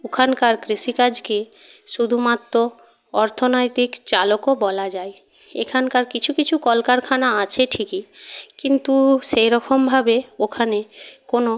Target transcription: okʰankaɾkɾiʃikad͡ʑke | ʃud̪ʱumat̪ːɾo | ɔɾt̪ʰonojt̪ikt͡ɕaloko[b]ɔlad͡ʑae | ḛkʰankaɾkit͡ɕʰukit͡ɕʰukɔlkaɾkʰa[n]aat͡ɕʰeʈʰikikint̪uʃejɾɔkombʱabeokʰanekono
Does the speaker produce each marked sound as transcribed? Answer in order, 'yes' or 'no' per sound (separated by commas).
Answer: yes, yes